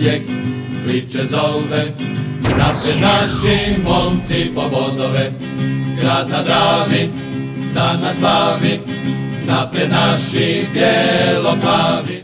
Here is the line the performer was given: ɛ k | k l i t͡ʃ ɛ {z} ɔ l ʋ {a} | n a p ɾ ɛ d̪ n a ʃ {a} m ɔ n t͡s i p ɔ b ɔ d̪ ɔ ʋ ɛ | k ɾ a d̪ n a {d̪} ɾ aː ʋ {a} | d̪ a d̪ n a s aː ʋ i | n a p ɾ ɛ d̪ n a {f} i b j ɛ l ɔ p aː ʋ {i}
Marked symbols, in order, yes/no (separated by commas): yes, no, no, yes, no, no, yes